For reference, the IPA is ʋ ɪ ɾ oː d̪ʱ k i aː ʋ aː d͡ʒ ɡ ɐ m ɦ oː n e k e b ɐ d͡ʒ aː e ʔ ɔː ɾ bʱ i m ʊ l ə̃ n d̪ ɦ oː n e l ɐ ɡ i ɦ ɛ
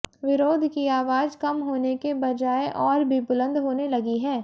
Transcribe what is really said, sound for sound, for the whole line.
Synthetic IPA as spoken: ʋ ɪ ɾ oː d̪ʱ k i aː ʋ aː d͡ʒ k ɐ m ɦ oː n e k e b ɐ d͡ʒ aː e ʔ ɔː ɾ bʱ i b ʊ l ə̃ n d̪ ɦ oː n e l ɐ ɡ i ɦ ɛː